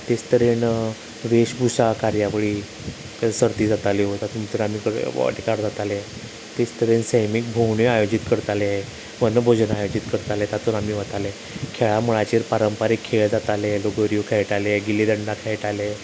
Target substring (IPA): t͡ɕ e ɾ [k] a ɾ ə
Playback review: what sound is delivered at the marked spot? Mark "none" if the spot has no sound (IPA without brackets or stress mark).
p